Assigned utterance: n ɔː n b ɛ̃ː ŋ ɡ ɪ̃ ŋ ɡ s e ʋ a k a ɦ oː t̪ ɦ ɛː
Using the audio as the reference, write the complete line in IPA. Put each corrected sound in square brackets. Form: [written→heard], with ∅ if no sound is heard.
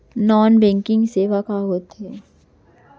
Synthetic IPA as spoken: n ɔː n b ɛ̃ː ŋ [ɡ→k] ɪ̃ ŋ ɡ s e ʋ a k a ɦ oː t̪ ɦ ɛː